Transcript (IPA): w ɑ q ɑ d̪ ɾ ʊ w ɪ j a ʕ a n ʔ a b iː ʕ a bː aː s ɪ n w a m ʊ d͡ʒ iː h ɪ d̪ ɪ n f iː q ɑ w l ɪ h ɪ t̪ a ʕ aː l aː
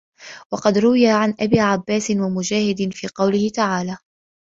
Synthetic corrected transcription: w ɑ q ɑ d̪ ɾ ʊ w ɪ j a ʕ a n ʔ a b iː ʕ a bː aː s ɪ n w a m ʊ d͡ʒ aː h ɪ d̪ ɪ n f iː q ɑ w l ɪ h ɪ t̪ a ʕ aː l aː